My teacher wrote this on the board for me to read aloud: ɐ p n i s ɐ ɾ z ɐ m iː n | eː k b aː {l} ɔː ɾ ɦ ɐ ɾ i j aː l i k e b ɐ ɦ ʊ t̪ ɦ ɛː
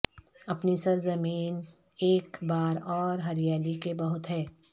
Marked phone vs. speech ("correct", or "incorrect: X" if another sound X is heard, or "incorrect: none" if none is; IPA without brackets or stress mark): incorrect: ɾ